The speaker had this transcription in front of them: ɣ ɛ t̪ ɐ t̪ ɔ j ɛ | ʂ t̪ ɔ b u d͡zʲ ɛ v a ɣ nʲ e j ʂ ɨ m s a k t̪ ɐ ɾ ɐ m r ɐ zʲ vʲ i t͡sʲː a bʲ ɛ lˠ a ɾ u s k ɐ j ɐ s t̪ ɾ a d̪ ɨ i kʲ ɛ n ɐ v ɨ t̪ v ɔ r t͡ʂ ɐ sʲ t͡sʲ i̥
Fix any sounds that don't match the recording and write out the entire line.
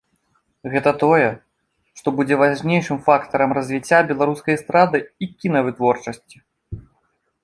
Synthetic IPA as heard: ɣ ɛ t̪ ɐ t̪ ɔ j ɛ | ʂ t̪ ɔ b u d͡zʲ ɛ v a ʐ nʲ e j ʂ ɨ m f a k t̪ ɐ ɾ ɐ m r ɐ zʲ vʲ i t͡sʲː a bʲ ɛ lˠ a ɾ u s k ɐ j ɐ s t̪ ɾ a d̪ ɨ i kʲ i n ɐ v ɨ t̪ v ɔ r t͡ʂ ɐ sʲ t͡sʲ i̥